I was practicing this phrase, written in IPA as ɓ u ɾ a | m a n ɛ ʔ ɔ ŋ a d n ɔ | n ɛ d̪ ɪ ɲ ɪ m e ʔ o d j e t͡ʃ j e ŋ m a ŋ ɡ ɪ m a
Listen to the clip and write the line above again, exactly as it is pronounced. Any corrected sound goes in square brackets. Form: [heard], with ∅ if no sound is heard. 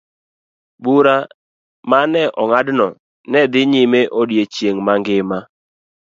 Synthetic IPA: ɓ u ɾ a | m a n ɛ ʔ ɔ ŋ a d n ɔ | n ɛ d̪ ɪ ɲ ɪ m e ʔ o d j e t͡ʃ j e ŋ m a ŋ ɡ ɪ m a